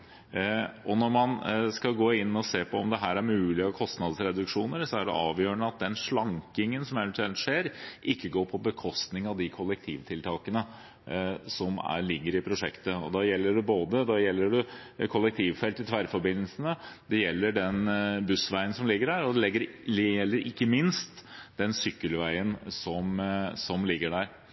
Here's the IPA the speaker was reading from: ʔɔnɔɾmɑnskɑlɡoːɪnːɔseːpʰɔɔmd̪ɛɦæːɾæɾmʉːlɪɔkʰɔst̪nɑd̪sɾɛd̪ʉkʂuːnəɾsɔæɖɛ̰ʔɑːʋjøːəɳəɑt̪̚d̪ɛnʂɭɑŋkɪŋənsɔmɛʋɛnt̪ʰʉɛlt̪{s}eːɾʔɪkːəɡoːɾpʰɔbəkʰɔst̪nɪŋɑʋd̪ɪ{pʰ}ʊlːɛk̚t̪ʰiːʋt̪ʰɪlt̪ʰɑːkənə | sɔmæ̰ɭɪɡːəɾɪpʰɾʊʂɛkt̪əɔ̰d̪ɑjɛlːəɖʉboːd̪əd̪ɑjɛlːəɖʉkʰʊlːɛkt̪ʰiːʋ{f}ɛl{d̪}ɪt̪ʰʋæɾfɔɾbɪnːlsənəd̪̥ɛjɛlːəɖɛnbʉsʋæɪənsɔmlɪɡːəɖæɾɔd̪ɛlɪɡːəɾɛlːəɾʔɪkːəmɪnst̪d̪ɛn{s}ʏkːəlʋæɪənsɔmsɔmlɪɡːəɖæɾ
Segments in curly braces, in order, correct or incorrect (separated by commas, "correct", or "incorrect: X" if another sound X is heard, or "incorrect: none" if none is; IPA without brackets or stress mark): incorrect: ʂ, incorrect: kʰ, correct, incorrect: t̪, correct